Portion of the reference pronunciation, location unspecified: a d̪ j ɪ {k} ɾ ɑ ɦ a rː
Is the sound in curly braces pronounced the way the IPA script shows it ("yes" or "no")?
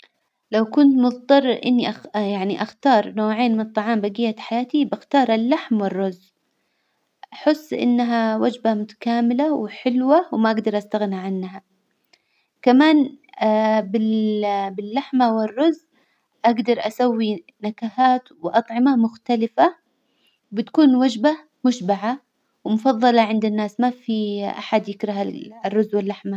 yes